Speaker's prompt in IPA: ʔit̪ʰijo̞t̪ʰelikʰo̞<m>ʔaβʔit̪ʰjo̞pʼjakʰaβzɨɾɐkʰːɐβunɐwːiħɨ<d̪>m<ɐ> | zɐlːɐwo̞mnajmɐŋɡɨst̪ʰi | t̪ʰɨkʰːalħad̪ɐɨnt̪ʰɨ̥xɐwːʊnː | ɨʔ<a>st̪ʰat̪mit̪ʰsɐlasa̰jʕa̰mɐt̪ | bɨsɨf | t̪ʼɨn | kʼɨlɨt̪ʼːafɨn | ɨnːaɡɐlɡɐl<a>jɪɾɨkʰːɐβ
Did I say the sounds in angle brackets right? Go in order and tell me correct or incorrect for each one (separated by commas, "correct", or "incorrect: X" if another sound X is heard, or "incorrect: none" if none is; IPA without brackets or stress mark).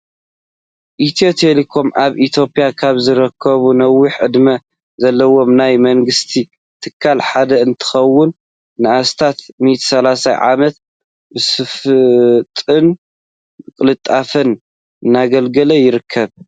correct, correct, correct, correct, incorrect: ɐ